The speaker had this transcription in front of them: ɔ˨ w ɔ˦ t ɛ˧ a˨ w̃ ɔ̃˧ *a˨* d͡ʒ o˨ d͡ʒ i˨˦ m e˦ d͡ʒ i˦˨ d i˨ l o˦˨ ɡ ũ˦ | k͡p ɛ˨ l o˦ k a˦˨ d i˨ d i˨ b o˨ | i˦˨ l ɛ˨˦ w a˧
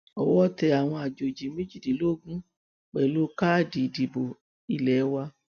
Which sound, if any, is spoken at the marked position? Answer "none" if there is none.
a˨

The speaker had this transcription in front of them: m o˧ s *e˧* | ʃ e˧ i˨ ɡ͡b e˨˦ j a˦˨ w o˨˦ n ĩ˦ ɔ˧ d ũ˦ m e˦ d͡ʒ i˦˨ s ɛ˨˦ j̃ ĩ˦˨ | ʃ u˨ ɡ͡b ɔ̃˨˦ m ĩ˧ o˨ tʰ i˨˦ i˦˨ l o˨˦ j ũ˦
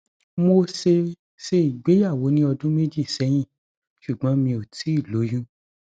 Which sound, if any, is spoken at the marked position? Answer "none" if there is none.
e˧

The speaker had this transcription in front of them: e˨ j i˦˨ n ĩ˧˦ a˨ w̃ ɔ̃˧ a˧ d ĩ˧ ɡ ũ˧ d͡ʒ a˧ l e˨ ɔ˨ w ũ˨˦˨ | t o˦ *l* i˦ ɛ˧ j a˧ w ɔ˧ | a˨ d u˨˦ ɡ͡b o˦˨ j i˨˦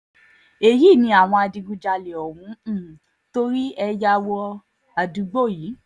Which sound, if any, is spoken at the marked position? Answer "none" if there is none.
ɾ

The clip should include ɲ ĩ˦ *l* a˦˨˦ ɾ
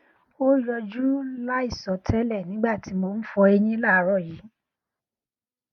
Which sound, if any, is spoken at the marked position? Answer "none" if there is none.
l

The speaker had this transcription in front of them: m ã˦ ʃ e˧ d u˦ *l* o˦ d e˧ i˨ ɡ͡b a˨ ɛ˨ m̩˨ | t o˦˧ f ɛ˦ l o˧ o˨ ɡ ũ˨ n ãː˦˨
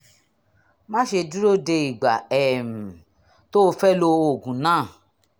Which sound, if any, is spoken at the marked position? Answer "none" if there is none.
ɾ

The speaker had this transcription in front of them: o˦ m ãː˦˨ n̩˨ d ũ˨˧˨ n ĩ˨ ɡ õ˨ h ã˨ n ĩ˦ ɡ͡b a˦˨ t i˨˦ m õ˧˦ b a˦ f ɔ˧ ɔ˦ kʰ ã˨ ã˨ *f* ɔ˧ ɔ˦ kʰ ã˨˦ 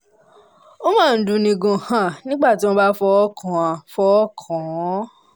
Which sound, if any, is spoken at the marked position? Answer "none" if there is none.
f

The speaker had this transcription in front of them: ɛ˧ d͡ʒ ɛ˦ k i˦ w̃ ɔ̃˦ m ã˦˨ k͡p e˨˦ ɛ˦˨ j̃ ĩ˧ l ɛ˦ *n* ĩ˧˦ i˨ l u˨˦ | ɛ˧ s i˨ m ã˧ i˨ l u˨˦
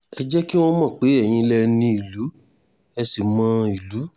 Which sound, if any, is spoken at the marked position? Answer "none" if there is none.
n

